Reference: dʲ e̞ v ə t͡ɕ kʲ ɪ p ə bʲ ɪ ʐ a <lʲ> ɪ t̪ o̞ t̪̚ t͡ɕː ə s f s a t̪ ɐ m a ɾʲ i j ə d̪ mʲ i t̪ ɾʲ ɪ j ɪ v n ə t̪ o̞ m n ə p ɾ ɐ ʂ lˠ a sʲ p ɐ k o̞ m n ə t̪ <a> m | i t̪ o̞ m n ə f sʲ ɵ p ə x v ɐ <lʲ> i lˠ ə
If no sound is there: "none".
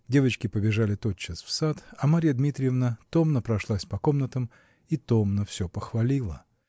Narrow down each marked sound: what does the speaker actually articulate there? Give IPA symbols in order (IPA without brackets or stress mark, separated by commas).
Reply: lʲ, ə, lʲ